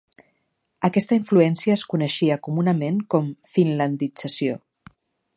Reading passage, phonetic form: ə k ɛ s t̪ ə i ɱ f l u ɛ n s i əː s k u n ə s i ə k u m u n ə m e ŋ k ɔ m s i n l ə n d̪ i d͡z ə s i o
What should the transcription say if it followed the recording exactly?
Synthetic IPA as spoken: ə k ɛ s t̪ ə i ɱ f l u ɛ n s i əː s k u n ə ʃ i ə k u m u n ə m e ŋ k ɔ m f i n l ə n d̪ i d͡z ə s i o